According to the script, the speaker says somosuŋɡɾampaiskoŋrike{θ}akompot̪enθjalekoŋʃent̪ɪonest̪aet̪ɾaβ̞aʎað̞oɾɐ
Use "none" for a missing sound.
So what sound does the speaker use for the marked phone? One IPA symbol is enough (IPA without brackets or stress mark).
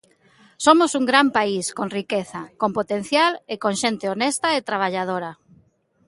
θ